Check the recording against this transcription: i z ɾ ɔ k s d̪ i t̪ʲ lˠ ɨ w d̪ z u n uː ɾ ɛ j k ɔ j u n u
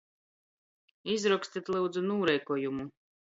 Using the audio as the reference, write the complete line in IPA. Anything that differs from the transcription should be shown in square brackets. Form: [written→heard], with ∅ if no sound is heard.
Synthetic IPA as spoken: i z ɾ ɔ k s [d̪→t̪] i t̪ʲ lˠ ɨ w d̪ z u n uː ɾ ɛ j k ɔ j u [n→m] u

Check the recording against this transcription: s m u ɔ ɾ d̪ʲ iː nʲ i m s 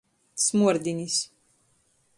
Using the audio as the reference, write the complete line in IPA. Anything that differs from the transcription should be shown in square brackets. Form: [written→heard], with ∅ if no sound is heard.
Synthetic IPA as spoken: s m u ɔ ɾ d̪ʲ [iː→i] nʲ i [m→∅] s

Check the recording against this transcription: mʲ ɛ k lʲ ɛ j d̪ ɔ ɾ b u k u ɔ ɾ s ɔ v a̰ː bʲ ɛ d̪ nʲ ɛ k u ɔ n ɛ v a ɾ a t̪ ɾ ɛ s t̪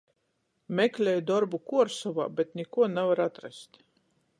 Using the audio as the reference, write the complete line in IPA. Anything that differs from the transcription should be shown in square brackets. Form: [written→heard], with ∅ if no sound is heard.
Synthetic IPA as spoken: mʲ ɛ k lʲ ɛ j d̪ ɔ ɾ b u k u ɔ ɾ s ɔ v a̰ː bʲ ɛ [d̪→t̪] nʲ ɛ k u ɔ n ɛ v a ɾ a t̪ ɾ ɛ s t̪

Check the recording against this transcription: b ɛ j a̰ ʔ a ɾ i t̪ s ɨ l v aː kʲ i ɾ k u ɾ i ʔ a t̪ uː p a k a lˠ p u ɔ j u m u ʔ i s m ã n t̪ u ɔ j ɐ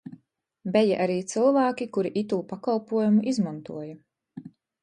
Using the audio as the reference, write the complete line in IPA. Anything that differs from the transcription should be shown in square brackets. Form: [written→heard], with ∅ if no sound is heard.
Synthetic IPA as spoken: b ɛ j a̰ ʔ a ɾ [i→iː] t̪ s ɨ l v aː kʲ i [ɾ→∅] k u ɾ i ʔ [a→i] t̪ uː p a k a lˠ p u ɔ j u m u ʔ i [s→z] m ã n t̪ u ɔ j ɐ

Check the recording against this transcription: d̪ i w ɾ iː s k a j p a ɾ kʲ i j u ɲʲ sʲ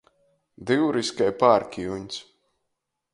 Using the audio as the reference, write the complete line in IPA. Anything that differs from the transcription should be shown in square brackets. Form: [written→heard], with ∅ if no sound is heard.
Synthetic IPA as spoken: d̪ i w ɾ [iː→i] s k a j p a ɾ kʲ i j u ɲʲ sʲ

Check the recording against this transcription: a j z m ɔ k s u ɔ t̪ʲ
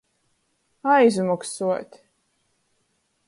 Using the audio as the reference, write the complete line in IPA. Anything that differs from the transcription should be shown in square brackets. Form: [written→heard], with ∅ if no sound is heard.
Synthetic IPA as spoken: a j z m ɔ k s u ɔ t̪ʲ

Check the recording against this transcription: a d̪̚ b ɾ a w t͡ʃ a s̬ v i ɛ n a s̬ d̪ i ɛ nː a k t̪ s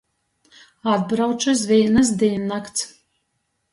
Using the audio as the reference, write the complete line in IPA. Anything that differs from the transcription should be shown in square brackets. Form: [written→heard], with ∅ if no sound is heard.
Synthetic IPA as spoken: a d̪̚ b ɾ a w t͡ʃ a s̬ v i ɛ n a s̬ d̪ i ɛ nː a k t̪ s

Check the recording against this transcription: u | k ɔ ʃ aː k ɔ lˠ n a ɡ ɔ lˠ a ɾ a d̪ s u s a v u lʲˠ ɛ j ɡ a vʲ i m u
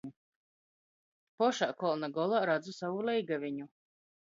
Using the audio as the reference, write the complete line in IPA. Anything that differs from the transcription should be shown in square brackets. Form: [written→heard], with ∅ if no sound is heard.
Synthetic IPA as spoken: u | [k→p] ɔ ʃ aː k ɔ lˠ n a ɡ ɔ lˠ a ɾ a d̪ [s→z] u s a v u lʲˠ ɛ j ɡ a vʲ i [m→ɲ] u

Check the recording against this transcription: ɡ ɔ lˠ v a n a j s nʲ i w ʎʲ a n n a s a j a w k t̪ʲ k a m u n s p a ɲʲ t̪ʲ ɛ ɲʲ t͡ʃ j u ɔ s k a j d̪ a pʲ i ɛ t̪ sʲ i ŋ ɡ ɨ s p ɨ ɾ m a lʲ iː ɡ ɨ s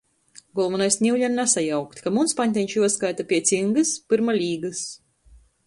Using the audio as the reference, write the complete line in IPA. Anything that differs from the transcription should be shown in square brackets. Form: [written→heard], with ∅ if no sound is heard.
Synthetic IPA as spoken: ɡ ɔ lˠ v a n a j s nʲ i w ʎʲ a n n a s a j a w k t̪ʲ k a m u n s p a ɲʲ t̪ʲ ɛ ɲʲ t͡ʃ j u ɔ s k a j [d̪→t̪] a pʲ i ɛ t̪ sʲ i ŋ ɡ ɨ s p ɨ ɾ m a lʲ iː ɡ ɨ s

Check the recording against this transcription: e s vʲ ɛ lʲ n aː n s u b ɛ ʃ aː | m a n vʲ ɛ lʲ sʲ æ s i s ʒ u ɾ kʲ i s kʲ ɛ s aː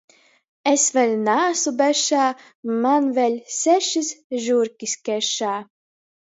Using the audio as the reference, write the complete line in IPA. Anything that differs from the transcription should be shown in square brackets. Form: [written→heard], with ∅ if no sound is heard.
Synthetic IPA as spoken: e s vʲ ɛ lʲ n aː [n→∅] s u b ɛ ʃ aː | m a n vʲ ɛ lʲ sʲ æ [s→ʃ] i s ʒ u ɾ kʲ i s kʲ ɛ [s→ʃ] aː

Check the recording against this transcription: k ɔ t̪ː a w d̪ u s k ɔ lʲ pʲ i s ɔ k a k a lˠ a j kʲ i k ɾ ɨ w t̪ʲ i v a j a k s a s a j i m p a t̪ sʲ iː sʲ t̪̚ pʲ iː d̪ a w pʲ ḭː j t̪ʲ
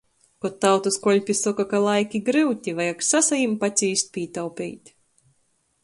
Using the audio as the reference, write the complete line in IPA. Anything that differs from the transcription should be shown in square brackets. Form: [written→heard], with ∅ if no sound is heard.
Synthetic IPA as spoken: k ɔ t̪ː a w [d̪→t̪] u s k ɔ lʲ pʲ i s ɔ k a k a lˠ a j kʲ i [k→ɡ] ɾ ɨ w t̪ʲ i v a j a k s a s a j i m p a t̪ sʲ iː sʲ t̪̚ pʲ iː [d̪→t̪] a w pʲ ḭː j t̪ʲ

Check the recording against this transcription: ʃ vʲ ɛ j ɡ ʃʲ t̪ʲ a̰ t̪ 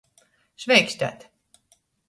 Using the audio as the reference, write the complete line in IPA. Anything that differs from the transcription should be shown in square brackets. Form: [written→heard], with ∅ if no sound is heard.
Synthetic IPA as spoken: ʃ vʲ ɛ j [ɡ→k] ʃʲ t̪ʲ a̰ t̪

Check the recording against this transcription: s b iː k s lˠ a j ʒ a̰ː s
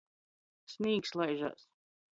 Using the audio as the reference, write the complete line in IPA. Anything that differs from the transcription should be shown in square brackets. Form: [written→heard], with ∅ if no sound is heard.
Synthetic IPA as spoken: s [b→m] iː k s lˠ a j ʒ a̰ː s

